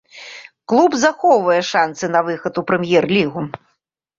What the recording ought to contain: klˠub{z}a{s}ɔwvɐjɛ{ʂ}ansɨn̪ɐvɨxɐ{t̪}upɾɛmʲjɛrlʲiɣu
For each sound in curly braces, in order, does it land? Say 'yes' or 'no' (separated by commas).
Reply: yes, no, yes, yes